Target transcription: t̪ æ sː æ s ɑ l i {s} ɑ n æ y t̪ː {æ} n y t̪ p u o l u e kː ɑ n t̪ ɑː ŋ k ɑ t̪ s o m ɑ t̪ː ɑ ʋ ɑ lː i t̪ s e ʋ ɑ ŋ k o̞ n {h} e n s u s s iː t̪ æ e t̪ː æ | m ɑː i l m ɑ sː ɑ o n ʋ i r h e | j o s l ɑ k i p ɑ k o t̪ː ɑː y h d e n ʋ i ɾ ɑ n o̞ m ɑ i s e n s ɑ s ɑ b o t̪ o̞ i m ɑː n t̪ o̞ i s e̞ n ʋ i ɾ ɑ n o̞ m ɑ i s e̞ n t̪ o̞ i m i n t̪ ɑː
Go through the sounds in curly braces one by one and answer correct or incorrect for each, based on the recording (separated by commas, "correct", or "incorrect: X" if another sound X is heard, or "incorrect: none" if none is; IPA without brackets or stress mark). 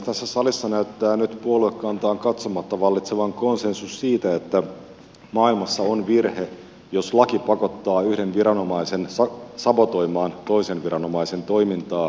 incorrect: sː, incorrect: æː, incorrect: s